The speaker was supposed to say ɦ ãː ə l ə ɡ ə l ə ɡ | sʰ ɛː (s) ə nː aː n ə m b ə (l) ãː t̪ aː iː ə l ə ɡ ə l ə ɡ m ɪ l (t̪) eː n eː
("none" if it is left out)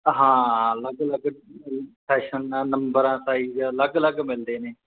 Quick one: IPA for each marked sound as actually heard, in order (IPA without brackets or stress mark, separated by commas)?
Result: ʃ, ɾ, d̪